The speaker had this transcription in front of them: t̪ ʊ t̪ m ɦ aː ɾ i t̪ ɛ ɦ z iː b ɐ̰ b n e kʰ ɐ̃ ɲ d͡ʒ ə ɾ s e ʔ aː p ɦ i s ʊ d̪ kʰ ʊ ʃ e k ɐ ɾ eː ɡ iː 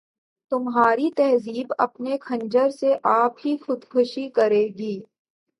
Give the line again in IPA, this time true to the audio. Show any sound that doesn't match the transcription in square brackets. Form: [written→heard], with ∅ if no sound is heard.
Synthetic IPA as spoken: t̪ ʊ [t̪→∅] m ɦ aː ɾ i t̪ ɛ ɦ z iː b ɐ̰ [b→p] n e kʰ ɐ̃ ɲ d͡ʒ ə ɾ s e ʔ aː p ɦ i [s→x] ʊ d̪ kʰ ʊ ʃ [e→i] k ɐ ɾ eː ɡ iː